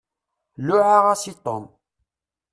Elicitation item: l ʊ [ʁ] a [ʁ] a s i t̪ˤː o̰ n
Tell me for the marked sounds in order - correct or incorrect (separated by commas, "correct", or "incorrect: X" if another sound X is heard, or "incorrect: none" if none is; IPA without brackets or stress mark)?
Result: incorrect: ʕ, correct